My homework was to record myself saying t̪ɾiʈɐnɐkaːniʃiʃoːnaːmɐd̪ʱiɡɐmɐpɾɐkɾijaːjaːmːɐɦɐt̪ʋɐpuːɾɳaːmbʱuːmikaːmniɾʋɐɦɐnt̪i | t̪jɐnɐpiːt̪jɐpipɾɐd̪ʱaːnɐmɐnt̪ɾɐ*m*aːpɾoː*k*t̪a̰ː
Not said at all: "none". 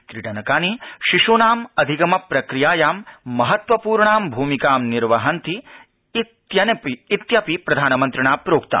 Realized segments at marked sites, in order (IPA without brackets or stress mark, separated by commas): ɳ, k